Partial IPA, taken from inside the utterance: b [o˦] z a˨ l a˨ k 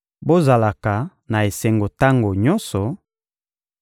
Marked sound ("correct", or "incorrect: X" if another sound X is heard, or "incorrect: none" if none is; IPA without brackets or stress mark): correct